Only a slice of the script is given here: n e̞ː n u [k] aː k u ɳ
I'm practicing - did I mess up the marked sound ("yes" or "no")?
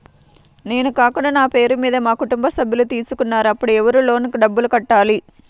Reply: no